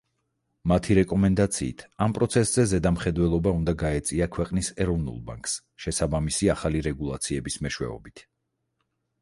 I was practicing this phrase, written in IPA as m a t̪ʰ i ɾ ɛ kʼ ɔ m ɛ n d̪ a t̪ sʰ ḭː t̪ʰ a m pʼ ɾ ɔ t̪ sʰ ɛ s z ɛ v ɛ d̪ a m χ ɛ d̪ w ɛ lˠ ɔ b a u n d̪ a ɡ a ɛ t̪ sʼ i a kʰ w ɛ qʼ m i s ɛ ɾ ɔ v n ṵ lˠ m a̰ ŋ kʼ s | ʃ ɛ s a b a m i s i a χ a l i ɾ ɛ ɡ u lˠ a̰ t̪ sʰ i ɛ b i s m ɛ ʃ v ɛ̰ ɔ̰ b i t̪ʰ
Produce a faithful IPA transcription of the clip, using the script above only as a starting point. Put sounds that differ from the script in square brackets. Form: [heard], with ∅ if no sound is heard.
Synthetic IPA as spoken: m a t̪ʰ i ɾ ɛ kʼ ɔ m ɛ n d̪ a t̪ sʰ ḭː t̪ʰ a m pʼ ɾ ɔ t̪ sʰ ɛ s z ɛ [z] ɛ d̪ a m χ ɛ d̪ w ɛ lˠ ɔ b a u n d̪ a ɡ a ɛ t̪ sʼ i a kʰ w ɛ qʼ [n] i s ɛ ɾ ɔ v n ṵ lˠ [b] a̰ ŋ kʼ s | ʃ ɛ s a b a m i s i a χ a l i ɾ ɛ ɡ u lˠ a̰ t̪ sʰ i ɛ b i s m ɛ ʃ [w] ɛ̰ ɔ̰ b i t̪ʰ

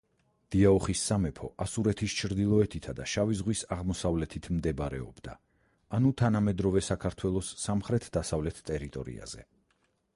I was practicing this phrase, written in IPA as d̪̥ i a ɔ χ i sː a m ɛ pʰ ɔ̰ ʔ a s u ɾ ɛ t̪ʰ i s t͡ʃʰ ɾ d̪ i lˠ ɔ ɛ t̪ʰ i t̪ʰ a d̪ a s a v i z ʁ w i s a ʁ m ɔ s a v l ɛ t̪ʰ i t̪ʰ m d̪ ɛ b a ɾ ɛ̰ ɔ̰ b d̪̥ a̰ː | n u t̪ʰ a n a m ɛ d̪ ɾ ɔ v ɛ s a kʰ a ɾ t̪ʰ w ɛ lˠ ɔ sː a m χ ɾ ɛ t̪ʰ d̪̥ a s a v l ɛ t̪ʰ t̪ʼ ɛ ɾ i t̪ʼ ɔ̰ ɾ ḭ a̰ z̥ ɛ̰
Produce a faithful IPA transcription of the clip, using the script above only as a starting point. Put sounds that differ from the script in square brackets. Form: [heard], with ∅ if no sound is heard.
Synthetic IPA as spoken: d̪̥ i a ɔ χ i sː a m ɛ pʰ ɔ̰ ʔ a s u ɾ ɛ t̪ʰ i s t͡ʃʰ ɾ d̪ i lˠ ɔ ɛ t̪ʰ i t̪ʰ a d̪ a [ʃ] a v i z ʁ w i s a ʁ m ɔ s a v l ɛ t̪ʰ i t̪ʰ m d̪ ɛ b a ɾ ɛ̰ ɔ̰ b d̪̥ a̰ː | n u t̪ʰ a n a m ɛ d̪ ɾ ɔ v ɛ s a kʰ a ɾ t̪ʰ w ɛ lˠ ɔ sː a m χ ɾ ɛ t̪ʰ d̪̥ a s a v l ɛ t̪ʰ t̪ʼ ɛ ɾ i t̪ʼ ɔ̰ ɾ ḭ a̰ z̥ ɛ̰

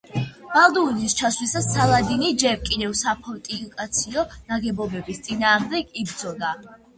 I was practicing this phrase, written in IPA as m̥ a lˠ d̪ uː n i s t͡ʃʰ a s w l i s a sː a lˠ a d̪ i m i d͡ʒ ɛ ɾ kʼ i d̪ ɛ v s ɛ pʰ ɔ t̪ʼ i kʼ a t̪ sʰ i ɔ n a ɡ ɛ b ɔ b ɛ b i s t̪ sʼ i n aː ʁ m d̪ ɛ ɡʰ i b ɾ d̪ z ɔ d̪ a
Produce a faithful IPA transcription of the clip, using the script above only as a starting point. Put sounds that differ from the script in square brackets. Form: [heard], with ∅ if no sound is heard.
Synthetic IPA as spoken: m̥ a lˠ d̪ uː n i s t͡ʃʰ a s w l i s a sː a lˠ a d̪ i [n] i d͡ʒ ɛ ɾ kʼ i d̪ ɛ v s [a] pʰ ɔ t̪ʼ i kʼ a t̪ sʰ i ɔ n a ɡ ɛ b ɔ b ɛ b i s t̪ sʼ i n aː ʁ m d̪ ɛ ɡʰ i b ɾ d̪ z ɔ d̪ a

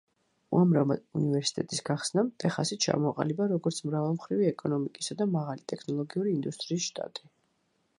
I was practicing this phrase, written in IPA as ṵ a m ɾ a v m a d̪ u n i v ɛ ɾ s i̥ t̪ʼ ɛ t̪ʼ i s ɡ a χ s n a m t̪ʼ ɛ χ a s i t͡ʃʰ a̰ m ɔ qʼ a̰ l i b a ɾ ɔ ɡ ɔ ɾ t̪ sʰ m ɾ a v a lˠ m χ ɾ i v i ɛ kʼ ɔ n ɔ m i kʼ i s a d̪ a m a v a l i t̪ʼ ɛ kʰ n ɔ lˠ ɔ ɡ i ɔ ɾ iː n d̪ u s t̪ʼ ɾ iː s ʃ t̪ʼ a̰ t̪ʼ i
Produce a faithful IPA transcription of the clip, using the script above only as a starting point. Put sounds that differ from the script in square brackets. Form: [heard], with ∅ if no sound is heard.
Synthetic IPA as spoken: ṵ a m ɾ a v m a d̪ u n i v ɛ ɾ s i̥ t̪ʼ ɛ t̪ʼ i s ɡ a χ s n a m t̪ʼ ɛ χ a s i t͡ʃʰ a̰ m ɔ qʼ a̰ l i b a ɾ ɔ ɡ ɔ ɾ t̪ sʰ m ɾ a v a lˠ m χ ɾ i v i ɛ kʼ ɔ n ɔ m i kʼ i s a d̪ a m a [ʁ] a l i t̪ʼ ɛ kʰ n ɔ lˠ ɔ ɡ i [u] ɾ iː n d̪ u s t̪ʼ ɾ iː s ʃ t̪ʼ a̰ t̪ʼ i

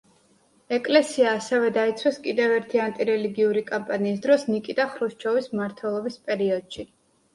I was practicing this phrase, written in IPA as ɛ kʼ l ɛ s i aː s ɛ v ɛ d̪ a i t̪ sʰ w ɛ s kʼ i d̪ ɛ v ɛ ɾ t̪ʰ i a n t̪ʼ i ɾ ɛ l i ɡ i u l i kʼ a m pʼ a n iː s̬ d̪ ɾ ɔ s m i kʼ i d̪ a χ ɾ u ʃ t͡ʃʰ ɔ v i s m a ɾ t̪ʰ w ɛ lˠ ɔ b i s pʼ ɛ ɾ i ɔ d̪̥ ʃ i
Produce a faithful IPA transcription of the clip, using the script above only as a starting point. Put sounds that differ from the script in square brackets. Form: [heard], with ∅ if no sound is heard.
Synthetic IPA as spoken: ɛ kʼ l ɛ s i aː s ɛ v ɛ d̪ a i t̪ sʰ w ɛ s kʼ i d̪ ɛ v ɛ ɾ t̪ʰ i a n t̪ʼ i ɾ ɛ l i ɡ i u [ɾ] i kʼ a m pʼ a n iː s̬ d̪ ɾ ɔ s [n] i kʼ i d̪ a χ ɾ u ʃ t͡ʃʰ ɔ v i s m a ɾ t̪ʰ w ɛ lˠ ɔ b i s pʼ ɛ ɾ i ɔ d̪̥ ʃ i

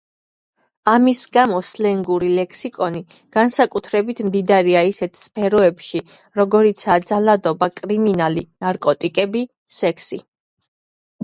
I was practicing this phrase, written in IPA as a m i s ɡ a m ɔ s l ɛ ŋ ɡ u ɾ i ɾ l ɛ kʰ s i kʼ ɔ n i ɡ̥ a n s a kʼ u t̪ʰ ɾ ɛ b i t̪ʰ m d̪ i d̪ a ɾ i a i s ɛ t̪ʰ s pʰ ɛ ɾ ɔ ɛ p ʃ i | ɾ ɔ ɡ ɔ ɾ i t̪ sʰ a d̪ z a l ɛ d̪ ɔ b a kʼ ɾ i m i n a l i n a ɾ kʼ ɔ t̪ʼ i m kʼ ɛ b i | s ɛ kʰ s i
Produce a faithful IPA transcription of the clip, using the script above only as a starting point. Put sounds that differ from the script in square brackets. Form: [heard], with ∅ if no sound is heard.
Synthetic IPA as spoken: a m i s ɡ a m ɔ s l ɛ ŋ ɡ u ɾ i [∅] l ɛ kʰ s i kʼ ɔ n i ɡ̥ a n s a kʼ u t̪ʰ ɾ ɛ b i t̪ʰ m d̪ i d̪ a ɾ i a i s ɛ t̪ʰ s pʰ ɛ ɾ ɔ ɛ p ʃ i | ɾ ɔ ɡ ɔ ɾ i t̪ sʰ a d̪ z a l [a] d̪ ɔ b a kʼ ɾ i m i n a l i n a ɾ kʼ ɔ t̪ʼ i [∅] kʼ ɛ b i | s ɛ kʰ s i

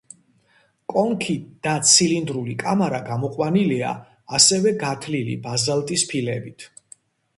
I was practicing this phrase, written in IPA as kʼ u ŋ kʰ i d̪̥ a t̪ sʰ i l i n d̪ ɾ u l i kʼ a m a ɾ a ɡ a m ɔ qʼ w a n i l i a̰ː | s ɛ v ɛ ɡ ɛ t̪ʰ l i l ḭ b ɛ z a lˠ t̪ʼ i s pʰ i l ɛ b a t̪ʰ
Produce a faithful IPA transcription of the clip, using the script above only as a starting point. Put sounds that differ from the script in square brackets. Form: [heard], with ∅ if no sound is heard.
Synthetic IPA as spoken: kʼ [ɔ] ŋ kʰ i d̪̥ a t̪ sʰ i l i n d̪ ɾ u l i kʼ a m a ɾ a ɡ a m ɔ qʼ w a n i l i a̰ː | s ɛ v ɛ ɡ [a] t̪ʰ l i l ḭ b [a] z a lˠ t̪ʼ i s pʰ i l ɛ b [i] t̪ʰ

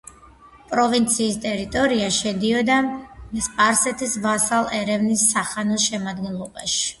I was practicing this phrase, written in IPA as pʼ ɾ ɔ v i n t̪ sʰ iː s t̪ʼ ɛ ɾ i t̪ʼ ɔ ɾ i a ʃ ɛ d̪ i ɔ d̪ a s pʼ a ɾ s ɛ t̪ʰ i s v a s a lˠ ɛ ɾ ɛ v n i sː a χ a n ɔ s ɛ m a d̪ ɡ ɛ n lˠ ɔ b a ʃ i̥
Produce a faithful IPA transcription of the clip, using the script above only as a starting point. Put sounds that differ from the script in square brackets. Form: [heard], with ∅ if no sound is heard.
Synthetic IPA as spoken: pʼ ɾ ɔ v i n t̪ sʰ iː s t̪ʼ ɛ ɾ i t̪ʼ ɔ ɾ i a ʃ ɛ d̪ i ɔ d̪ a s pʼ a ɾ s ɛ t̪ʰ i s v a s a lˠ ɛ ɾ ɛ v n i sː a χ a n ɔ [ʃ] ɛ m a d̪ ɡ ɛ n lˠ ɔ b a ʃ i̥

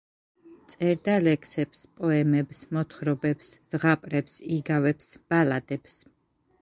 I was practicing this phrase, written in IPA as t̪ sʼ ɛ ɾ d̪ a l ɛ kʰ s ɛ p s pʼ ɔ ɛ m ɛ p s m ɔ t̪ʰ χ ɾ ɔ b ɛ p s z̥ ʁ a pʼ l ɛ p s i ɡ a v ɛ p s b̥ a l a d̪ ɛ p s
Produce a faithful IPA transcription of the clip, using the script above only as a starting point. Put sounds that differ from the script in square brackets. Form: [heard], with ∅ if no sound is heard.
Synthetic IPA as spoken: t̪ sʼ ɛ ɾ d̪ a l ɛ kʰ s ɛ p s pʼ ɔ ɛ m ɛ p s m ɔ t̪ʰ χ ɾ ɔ b ɛ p s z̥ ʁ a pʼ [ɾ] ɛ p s i ɡ a v ɛ p s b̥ a l a d̪ ɛ p s

